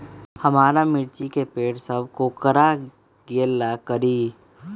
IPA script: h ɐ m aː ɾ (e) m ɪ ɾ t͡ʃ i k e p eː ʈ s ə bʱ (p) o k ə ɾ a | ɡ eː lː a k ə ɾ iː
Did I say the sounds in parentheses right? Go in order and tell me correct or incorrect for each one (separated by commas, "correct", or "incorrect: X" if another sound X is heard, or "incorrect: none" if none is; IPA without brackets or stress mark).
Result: incorrect: a, incorrect: k